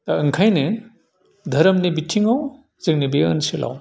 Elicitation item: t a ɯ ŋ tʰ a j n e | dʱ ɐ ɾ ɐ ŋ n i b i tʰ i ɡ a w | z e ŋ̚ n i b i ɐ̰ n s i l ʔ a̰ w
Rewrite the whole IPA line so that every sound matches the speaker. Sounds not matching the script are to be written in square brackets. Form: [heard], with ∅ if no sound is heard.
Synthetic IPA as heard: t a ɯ ŋ [kʰ] a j n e | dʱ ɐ ɾ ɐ [m] n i b i tʰ i [ŋ] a w | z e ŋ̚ n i b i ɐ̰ n s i l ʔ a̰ w